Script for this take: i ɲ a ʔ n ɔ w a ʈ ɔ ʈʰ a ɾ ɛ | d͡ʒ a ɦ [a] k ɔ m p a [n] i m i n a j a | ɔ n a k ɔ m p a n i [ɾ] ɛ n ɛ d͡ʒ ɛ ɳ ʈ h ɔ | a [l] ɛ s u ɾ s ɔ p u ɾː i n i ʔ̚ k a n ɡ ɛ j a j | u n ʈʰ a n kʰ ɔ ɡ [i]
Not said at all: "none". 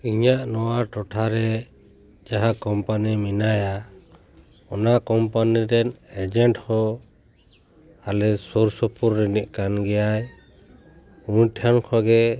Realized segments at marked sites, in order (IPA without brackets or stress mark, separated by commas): a, n, ɾ, l, ɛ